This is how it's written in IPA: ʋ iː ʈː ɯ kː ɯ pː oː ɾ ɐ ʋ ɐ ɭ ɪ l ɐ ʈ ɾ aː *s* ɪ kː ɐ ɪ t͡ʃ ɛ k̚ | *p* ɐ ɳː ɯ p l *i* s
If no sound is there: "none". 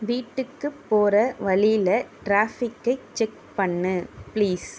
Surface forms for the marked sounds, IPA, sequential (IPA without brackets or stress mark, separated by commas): f, p, iː